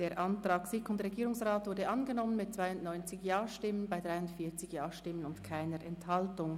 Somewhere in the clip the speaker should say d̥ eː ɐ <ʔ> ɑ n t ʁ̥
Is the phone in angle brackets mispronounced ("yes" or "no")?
no